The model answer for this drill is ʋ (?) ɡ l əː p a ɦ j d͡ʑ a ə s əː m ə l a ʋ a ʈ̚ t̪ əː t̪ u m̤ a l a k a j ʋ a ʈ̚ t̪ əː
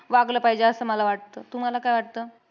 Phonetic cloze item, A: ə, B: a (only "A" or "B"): B